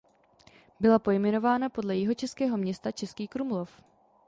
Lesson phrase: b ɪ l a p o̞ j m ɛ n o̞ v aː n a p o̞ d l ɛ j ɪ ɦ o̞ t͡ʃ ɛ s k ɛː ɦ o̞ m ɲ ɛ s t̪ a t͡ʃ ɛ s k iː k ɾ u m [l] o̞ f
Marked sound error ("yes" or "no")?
no